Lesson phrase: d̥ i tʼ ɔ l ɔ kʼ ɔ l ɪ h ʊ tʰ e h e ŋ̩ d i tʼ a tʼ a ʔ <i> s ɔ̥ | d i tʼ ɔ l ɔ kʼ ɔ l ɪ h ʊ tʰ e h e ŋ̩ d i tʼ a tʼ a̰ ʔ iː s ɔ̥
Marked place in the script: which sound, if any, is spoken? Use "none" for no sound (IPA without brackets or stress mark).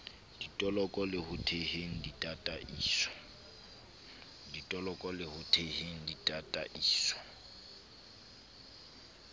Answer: iː